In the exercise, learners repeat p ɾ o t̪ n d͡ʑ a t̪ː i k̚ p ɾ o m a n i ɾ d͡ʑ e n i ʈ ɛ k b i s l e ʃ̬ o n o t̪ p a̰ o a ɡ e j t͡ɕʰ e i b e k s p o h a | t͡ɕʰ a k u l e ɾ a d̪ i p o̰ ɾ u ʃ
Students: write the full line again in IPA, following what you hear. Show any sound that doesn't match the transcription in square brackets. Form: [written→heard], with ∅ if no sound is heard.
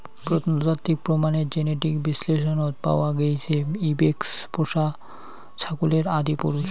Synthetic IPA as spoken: p ɾ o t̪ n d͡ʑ a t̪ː i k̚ p ɾ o m a n [i→e] ɾ d͡ʑ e n [i→e] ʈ [ɛ→i] k b i s l e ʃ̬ o n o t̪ p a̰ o a ɡ e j t͡ɕʰ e i b e k s p o [h→ʃ] a | t͡ɕʰ a k u l e ɾ a d̪ i p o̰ ɾ u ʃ